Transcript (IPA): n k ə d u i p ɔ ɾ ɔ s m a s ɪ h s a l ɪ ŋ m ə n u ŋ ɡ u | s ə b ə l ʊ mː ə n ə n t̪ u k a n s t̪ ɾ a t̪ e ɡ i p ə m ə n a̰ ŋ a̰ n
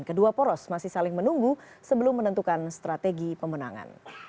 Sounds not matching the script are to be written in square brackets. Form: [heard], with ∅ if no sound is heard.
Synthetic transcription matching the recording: n k ə d u [a] p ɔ ɾ ɔ s m a s ɪ h s a l ɪ ŋ m ə n u ŋ ɡ u | s ə b ə l ʊ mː ə n ə n t̪ u k a n s t̪ ɾ a t̪ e ɡ i p ə m ə n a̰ ŋ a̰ n